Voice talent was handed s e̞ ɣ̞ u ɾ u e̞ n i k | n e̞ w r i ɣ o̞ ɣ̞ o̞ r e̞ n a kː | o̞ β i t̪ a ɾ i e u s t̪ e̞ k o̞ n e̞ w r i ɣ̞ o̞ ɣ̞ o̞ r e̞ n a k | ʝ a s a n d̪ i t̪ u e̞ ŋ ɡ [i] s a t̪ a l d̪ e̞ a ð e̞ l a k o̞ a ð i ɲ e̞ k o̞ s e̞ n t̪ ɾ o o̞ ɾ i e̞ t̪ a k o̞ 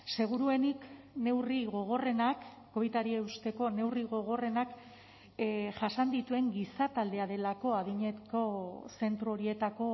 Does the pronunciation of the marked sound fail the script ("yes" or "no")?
no